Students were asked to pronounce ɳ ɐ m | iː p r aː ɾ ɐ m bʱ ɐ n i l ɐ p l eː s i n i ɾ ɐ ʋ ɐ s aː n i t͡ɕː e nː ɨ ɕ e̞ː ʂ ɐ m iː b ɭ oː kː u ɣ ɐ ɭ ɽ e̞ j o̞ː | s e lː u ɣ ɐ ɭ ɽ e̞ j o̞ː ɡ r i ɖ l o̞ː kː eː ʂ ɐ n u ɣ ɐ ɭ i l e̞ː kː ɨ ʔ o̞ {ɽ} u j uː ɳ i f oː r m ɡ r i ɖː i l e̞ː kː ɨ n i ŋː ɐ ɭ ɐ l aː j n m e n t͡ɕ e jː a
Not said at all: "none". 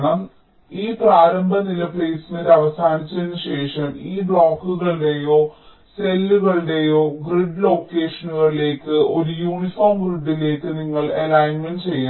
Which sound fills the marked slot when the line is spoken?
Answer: ɾ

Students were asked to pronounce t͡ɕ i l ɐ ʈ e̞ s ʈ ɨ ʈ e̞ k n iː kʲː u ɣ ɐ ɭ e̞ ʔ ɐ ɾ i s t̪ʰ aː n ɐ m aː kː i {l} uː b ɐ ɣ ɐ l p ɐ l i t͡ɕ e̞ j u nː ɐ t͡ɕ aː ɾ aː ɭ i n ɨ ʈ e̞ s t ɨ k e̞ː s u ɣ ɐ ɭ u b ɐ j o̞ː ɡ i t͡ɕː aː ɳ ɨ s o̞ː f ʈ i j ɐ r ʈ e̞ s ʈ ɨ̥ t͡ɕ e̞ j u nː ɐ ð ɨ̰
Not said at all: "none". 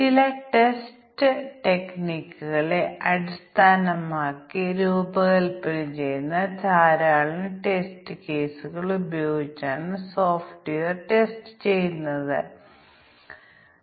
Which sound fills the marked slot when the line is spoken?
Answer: ɾ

